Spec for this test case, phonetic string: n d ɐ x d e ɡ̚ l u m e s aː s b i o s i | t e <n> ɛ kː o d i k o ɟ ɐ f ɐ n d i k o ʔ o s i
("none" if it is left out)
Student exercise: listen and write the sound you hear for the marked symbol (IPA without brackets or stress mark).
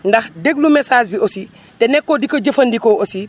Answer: n